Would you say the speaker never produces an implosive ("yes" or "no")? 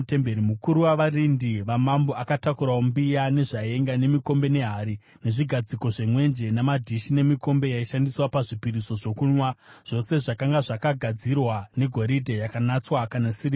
yes